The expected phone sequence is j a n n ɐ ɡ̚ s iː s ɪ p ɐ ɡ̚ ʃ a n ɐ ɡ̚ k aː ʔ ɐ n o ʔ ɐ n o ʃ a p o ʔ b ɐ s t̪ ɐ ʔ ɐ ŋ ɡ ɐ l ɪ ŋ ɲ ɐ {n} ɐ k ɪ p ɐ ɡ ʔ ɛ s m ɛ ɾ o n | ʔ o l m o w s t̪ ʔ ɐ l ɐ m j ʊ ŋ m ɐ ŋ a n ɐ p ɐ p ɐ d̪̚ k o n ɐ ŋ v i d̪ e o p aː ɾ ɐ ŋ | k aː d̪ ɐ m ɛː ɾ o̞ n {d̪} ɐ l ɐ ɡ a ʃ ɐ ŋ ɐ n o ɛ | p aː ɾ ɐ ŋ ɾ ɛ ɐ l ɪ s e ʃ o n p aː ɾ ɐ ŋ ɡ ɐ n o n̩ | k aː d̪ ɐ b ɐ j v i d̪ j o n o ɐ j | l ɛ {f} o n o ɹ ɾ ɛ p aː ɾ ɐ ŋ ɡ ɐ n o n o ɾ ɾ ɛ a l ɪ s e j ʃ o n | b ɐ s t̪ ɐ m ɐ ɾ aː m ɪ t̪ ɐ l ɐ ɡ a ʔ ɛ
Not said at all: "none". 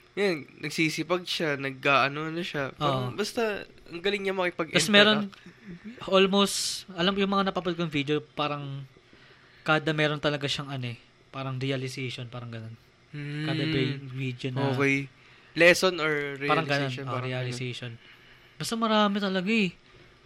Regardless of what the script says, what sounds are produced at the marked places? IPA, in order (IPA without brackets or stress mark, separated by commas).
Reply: m, t̪, s